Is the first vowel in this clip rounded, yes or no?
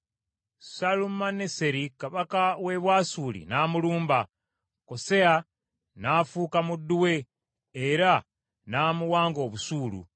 no